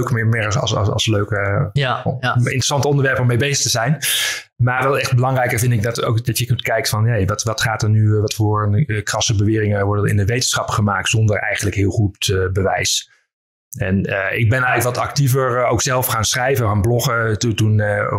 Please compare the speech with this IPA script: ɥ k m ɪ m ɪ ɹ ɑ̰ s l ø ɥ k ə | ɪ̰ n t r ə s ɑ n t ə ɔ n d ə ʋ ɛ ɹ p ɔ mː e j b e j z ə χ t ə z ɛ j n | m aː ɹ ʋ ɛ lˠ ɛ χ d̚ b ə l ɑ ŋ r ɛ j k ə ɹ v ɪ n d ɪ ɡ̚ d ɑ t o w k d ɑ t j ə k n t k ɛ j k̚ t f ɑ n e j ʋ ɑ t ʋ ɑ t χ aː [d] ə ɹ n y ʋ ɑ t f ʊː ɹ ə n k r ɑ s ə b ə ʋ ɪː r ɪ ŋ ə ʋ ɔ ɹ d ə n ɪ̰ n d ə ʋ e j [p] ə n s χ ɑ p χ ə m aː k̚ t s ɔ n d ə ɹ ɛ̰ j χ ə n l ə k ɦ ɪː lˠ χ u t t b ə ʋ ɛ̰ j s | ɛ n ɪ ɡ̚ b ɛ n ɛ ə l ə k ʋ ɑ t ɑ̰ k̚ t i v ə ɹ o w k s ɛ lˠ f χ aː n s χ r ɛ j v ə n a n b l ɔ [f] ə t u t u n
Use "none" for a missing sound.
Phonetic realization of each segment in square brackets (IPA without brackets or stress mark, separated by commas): t, t, χ